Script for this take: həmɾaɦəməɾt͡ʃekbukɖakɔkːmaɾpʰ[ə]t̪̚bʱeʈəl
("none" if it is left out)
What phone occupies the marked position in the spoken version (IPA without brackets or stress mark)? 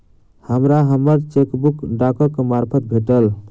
ə